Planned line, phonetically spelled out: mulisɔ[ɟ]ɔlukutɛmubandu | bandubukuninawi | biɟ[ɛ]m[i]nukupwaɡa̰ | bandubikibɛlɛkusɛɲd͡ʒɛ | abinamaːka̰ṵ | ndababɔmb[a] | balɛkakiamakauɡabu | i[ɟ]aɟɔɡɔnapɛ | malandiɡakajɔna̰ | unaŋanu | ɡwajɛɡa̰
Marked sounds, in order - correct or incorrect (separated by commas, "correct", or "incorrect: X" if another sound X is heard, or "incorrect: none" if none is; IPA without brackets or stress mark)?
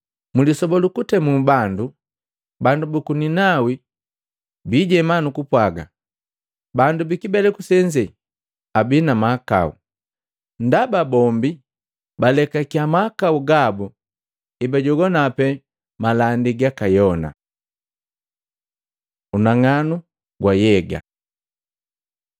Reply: incorrect: b, correct, incorrect: a, incorrect: i, incorrect: b